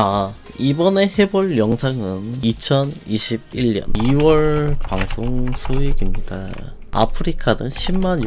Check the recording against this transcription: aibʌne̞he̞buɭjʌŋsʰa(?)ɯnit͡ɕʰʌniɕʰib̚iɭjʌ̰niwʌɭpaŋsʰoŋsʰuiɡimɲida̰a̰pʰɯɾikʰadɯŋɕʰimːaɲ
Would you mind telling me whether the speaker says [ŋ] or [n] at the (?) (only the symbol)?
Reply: ŋ